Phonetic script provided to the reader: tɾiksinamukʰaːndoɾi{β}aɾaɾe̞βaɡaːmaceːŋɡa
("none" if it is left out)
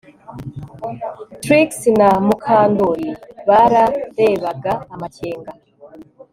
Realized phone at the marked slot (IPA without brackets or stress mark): β